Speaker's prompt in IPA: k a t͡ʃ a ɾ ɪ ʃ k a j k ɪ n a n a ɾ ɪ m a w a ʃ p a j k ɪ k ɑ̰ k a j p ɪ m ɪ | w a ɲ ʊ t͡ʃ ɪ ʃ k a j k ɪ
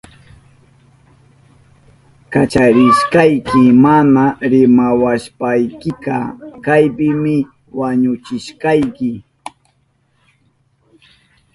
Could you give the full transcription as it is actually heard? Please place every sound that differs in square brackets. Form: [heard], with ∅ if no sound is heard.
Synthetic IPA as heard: k a t͡ʃ a ɾ ɪ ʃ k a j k ɪ [m] a n a ɾ ɪ m a w a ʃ p a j k ɪ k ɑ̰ k a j p ɪ m ɪ | w a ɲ ʊ t͡ʃ ɪ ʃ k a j k ɪ